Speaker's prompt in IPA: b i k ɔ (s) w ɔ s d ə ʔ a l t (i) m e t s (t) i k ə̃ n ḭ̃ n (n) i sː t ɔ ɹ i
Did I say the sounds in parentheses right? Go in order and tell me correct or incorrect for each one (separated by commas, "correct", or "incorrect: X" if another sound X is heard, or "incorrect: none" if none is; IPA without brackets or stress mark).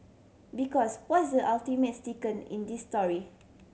correct, correct, correct, incorrect: d